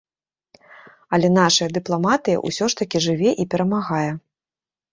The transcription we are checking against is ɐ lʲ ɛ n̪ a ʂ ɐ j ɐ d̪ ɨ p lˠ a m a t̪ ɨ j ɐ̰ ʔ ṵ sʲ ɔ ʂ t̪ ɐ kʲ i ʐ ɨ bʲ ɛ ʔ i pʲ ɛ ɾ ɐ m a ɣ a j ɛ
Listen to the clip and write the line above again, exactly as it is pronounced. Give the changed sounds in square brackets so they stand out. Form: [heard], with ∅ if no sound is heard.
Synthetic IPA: ɐ lʲ ɛ n̪ a ʂ ɐ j ɐ d̪ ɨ p lˠ a m a t̪ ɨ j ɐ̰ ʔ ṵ sʲ ɔ ʂ t̪ ɐ kʲ i ʐ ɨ [vʲ] ɛ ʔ i pʲ ɛ ɾ ɐ m a ɣ a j ɛ